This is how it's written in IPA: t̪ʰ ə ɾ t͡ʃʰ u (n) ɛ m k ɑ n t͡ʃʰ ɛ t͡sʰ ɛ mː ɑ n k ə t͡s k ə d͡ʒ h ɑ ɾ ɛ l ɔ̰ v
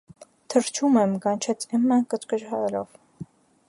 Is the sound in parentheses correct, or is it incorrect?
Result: incorrect